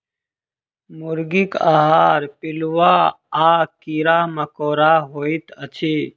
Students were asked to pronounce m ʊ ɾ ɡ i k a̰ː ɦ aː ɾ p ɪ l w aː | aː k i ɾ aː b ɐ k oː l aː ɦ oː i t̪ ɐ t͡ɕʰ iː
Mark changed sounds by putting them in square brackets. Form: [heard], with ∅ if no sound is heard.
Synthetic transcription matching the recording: m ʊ ɾ ɡ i k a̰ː ɦ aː ɾ p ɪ l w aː | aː k i ɾ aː [m] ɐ k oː [ɾ] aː ɦ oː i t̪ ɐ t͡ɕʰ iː